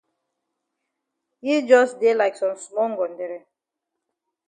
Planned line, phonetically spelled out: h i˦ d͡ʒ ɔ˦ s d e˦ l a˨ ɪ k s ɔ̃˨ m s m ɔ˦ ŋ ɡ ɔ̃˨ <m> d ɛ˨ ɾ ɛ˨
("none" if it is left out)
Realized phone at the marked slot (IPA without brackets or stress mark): n